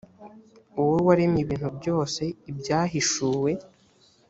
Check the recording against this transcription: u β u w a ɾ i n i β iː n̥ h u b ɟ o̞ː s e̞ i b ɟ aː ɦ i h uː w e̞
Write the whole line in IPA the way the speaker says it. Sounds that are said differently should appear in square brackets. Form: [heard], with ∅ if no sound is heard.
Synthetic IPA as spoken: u [w] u w a ɾ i [m] i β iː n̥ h u b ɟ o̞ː s e̞ i b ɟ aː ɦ i [ʃ] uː w e̞